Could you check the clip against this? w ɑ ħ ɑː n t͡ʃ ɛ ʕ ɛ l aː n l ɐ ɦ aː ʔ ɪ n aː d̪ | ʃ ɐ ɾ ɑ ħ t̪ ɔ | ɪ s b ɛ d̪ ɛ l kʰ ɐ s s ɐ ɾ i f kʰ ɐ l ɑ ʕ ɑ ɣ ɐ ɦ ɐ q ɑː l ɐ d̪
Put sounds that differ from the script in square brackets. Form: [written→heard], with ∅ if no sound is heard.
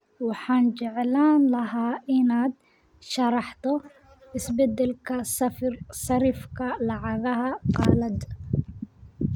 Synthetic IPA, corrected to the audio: w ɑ ħ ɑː n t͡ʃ ɛ ʕ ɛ l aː n l ɐ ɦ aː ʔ ɪ n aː d̪ | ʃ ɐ ɾ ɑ ħ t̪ ɔ | ɪ s b ɛ d̪ ɛ l kʰ ɐ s s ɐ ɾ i f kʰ ɐ l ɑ ʕ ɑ ɣ ɐ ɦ ɐ q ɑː l ɐ d̪